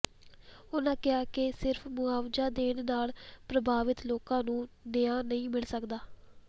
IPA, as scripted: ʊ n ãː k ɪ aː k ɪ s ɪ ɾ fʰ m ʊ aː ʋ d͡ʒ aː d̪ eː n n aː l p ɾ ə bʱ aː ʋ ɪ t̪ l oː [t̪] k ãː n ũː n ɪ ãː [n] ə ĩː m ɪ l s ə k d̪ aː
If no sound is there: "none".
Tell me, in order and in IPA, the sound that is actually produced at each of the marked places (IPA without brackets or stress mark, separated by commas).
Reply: none, n